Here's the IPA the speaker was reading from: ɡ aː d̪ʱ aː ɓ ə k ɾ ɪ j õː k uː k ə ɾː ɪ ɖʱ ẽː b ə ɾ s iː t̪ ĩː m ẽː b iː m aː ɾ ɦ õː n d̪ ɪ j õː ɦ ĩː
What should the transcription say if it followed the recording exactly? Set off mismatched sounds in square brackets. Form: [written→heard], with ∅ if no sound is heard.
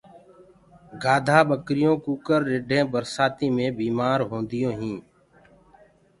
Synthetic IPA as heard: ɡ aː d̪ʱ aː ɓ ə k ɾ ɪ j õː k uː k ə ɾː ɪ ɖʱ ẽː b ə ɾ s [iː→aː] t̪ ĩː m ẽː b iː m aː ɾ ɦ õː n d̪ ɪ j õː ɦ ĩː